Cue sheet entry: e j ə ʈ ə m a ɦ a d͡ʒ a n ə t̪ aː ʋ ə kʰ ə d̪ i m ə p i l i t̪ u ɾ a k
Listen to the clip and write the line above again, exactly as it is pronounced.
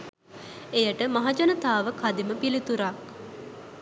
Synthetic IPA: e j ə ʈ ə m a ɦ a d͡ʒ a n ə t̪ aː ʋ ə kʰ a d̪ i m ə p i l i t̪ u ɾ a k